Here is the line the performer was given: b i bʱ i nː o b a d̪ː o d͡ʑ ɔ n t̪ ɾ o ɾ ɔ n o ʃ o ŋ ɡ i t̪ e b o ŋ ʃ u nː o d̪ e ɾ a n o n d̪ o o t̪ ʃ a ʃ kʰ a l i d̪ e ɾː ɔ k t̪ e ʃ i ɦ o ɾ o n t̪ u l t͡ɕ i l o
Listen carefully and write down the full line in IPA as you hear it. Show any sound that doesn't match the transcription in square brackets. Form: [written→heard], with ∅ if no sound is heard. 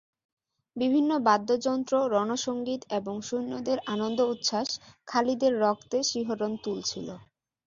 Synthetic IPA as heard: b i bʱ i nː o b a d̪ː o d͡ʑ ɔ n t̪ ɾ o ɾ ɔ n o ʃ o ŋ ɡ i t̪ e b o ŋ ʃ u nː o d̪ e ɾ a n o n d̪ o [o→u] t̪ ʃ a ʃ kʰ a l i d̪ e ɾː ɔ k t̪ e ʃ i ɦ o ɾ o n t̪ u l [t͡ɕ→t͡ɕʰ] i l o